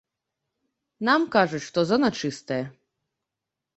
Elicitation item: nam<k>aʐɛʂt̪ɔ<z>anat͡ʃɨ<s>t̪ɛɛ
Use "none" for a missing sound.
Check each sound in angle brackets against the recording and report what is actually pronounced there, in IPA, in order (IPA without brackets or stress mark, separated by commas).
k, z, s